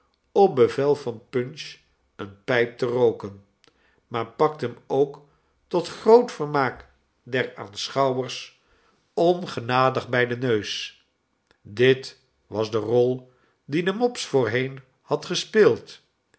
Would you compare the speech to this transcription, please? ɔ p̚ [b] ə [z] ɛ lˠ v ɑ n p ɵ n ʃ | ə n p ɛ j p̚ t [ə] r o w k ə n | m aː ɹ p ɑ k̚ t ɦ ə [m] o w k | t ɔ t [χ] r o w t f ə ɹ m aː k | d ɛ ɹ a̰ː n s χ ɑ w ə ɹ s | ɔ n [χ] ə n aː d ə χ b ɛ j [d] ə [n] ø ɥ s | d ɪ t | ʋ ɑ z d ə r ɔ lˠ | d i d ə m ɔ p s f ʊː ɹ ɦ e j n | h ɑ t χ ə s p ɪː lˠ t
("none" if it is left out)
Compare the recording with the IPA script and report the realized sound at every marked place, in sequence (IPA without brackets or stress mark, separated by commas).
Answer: b, v, ə, m, χ, χ, d, n